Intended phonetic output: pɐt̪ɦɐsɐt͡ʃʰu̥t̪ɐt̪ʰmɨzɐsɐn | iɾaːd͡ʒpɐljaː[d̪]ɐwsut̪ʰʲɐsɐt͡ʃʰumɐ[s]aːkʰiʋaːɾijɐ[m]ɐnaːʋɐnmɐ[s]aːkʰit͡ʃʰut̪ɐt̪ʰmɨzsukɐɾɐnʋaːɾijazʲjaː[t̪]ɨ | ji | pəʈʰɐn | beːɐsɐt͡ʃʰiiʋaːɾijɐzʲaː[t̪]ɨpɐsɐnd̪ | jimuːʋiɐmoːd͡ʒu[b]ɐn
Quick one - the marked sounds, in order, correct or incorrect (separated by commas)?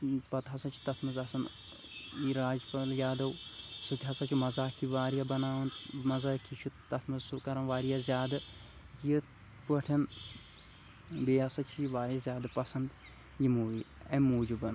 correct, incorrect, incorrect, incorrect, incorrect, incorrect, correct